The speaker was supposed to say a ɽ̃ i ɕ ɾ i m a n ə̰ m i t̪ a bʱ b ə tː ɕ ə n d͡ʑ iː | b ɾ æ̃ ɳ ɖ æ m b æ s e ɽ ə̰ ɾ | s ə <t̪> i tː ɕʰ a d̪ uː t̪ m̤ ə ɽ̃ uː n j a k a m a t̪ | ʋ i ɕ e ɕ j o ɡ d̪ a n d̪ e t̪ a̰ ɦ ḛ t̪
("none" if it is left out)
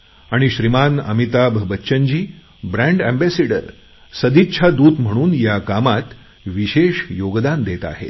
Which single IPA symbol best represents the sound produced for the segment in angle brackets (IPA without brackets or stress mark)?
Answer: d̪